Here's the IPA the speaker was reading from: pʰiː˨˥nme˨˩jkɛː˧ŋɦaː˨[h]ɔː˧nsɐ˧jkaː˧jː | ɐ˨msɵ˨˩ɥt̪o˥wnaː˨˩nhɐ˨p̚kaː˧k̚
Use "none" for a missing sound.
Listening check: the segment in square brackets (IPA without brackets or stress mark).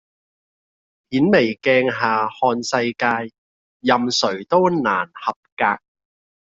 h